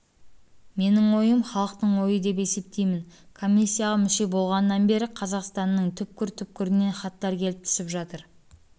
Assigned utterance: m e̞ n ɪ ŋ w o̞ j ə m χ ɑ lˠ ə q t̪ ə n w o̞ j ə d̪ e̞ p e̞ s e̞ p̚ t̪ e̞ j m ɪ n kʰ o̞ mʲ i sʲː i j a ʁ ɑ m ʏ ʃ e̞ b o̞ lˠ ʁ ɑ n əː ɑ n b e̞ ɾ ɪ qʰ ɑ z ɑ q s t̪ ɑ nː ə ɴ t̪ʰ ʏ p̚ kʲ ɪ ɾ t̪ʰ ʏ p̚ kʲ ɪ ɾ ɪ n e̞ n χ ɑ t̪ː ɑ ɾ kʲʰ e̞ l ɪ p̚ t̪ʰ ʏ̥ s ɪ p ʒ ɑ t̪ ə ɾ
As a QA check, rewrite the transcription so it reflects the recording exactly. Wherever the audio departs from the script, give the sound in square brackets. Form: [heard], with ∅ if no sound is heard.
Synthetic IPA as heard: m e̞ n ɪ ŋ w o̞ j ə m χ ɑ lˠ ə q t̪ ə [ɴ] w o̞ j ə d̪ e̞ p e̞ s e̞ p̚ t̪ e̞ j m ɪ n kʰ o̞ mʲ i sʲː i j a ʁ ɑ m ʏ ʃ e̞ b o̞ lˠ ʁ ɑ n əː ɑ n b e̞ ɾ ɪ qʰ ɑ z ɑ q s t̪ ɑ nː ə ɴ t̪ʰ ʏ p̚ kʲ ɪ ɾ t̪ʰ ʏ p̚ kʲ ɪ ɾ ɪ n e̞ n χ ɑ t̪ː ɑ ɾ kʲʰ e̞ l ɪ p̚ t̪ʰ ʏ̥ s ɪ p ʒ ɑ t̪ ə ɾ